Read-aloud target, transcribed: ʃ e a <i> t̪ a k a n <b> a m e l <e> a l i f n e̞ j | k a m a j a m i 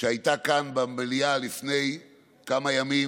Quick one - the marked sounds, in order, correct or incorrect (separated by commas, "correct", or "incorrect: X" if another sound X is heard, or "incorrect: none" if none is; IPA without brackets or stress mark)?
incorrect: j, correct, incorrect: i